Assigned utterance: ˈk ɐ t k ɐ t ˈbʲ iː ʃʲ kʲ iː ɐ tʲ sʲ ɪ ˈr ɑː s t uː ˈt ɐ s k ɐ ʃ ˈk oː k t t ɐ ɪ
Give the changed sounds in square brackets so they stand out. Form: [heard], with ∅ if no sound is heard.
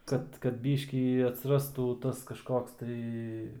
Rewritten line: ˈk ɐ t k ɐ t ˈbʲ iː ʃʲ kʲ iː ɐ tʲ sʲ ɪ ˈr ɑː s t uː ˈt ɐ s k ɐ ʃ ˈk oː k [s] t ɐ ɪ